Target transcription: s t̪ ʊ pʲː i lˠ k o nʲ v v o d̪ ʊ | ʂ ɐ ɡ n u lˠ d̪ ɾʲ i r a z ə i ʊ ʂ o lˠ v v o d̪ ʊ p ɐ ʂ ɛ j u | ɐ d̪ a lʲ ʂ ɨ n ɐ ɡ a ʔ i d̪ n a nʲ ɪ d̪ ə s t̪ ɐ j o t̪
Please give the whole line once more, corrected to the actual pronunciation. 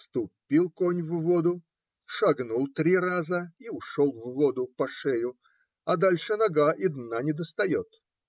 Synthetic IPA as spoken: s t̪ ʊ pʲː i lˠ k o nʲ v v o d̪ ʊ | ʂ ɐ ɡ n u lˠ t̪ ɾʲ i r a z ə i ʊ ʂ o lˠ v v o d̪ ʊ p ɐ ʂ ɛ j ʊ | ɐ d̪ a lʲ ʂ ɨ n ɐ ɡ a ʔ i d̪ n a nʲ ɪ d̪ ə s t̪ ɐ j o t̪